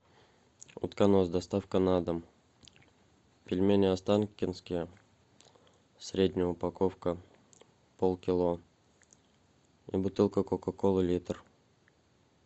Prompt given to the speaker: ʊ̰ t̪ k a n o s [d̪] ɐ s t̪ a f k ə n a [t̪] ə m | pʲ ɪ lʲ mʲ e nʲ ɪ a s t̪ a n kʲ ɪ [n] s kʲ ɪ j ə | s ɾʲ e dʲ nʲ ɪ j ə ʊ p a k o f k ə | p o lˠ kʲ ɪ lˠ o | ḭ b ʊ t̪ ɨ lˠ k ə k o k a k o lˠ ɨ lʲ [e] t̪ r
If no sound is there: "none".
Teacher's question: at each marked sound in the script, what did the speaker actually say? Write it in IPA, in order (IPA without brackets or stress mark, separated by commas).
d̪, d̪, n, i